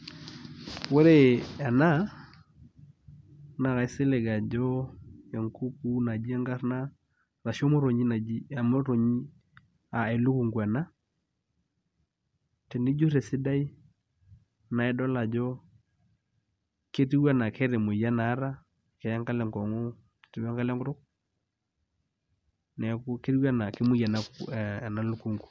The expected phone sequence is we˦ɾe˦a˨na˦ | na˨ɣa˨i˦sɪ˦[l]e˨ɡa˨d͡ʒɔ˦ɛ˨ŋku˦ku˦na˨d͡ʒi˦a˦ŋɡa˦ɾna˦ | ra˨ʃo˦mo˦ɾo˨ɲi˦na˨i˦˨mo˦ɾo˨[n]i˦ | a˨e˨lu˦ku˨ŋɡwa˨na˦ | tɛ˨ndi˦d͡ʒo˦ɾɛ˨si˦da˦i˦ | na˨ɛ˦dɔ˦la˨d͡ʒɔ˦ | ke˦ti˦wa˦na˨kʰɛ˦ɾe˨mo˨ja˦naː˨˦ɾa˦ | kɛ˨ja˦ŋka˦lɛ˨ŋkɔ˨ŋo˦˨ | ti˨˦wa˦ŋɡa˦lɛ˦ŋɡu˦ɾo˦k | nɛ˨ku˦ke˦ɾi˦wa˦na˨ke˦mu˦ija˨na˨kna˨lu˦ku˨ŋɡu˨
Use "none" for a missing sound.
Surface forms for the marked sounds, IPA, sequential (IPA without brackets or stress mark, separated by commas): l, ɲ